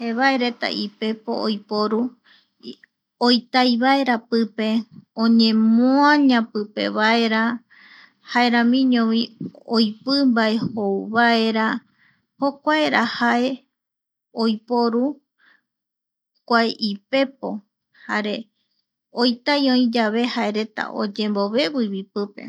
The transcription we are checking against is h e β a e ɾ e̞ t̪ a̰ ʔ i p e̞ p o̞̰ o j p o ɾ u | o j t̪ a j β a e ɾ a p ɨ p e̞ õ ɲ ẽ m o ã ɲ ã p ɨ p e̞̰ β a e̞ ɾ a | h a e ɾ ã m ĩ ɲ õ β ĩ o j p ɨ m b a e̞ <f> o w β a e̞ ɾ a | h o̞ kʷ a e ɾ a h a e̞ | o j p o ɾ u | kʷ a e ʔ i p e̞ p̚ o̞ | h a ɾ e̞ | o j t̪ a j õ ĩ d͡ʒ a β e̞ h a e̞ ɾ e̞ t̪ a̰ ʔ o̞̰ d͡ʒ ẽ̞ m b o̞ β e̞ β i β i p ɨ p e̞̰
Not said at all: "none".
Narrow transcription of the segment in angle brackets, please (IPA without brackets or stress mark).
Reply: h